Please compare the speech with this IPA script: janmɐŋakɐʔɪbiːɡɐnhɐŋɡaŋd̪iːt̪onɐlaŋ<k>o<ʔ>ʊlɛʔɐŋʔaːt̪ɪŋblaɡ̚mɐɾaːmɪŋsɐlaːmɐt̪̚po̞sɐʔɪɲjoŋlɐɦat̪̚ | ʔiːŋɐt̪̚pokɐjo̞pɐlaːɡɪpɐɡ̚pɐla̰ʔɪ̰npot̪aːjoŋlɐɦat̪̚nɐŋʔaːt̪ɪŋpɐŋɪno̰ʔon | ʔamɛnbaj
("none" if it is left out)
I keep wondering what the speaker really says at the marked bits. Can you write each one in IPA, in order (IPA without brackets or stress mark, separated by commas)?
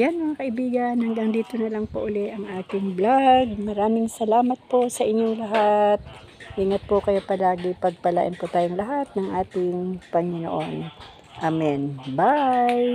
p, ʔ